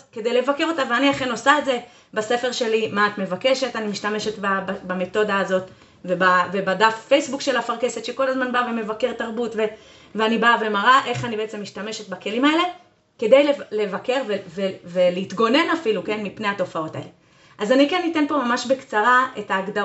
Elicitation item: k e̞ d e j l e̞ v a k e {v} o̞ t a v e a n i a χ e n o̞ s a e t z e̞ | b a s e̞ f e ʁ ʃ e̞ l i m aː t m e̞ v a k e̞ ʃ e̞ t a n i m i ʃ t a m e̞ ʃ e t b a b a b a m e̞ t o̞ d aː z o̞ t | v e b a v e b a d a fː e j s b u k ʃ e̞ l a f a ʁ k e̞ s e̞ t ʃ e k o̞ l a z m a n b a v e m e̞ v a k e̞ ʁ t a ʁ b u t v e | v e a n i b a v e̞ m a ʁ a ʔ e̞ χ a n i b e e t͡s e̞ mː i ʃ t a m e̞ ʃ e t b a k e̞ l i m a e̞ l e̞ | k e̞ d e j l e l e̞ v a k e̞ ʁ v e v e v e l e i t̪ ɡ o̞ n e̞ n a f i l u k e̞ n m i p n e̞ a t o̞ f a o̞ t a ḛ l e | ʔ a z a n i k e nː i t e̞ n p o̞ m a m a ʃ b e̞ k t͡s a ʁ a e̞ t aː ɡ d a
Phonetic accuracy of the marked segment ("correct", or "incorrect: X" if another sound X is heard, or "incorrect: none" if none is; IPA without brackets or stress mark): incorrect: ʁ